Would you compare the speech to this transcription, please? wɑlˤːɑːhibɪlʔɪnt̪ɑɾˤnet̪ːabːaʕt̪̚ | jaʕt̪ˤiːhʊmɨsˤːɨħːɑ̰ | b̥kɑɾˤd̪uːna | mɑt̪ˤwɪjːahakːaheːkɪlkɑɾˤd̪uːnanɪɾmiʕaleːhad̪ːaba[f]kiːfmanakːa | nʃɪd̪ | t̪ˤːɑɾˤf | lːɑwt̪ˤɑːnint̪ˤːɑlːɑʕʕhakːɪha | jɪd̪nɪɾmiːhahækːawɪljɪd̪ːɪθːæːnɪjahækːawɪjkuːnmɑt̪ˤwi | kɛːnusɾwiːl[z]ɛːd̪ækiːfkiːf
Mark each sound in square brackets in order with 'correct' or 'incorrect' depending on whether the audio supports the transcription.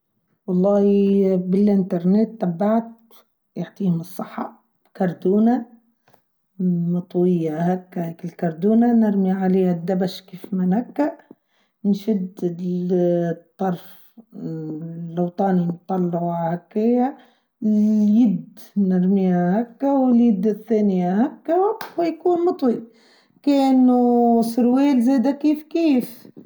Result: incorrect: ʃ, correct

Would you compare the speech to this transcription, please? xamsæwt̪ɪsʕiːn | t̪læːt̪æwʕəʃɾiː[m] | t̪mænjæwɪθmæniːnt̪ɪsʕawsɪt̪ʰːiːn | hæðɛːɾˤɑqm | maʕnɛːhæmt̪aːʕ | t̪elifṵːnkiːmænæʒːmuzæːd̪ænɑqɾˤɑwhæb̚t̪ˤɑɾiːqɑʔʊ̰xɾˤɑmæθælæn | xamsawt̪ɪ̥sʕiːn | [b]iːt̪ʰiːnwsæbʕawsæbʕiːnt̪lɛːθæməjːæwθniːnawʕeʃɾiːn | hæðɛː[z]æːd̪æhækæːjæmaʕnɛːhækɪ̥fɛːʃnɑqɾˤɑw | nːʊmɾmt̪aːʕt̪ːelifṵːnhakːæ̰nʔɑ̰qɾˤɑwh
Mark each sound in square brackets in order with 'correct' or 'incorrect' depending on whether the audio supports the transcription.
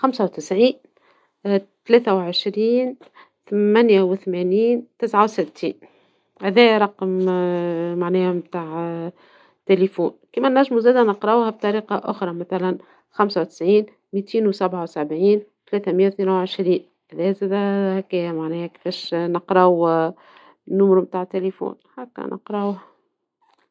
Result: incorrect: n, incorrect: m, correct

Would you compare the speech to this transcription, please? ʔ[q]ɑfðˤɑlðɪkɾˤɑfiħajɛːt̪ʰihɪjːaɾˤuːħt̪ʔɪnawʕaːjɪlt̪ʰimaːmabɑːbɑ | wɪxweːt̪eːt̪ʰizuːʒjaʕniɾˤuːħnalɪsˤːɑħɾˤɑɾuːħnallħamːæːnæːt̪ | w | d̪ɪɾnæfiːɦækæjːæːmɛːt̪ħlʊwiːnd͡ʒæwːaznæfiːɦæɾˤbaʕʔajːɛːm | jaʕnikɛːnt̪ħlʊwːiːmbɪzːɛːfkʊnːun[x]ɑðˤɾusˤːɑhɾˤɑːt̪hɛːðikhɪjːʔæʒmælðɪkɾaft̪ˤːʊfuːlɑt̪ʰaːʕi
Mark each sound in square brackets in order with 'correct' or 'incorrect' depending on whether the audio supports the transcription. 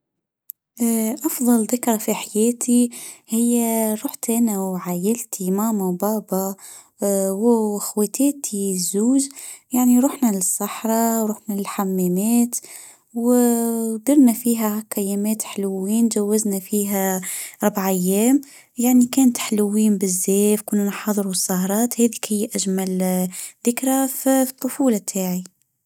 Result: incorrect: ʔ, incorrect: ħ

